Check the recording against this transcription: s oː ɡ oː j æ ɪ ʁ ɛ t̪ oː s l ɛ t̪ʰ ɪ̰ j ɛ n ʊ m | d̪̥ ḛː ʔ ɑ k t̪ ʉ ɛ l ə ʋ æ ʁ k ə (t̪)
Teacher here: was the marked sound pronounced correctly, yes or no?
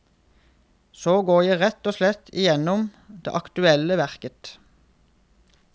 yes